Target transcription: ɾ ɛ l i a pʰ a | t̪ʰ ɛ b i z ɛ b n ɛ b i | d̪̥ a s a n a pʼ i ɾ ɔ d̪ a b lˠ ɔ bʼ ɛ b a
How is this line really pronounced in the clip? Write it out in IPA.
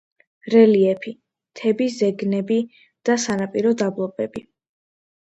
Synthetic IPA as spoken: ɾ ɛ l i ɛ pʰ i | t̪ʰ ɛ b i z ɛ ɡ n ɛ b i | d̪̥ a s a n a pʼ i ɾ ɔ d̪ a b lˠ ɔ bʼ ɛ b i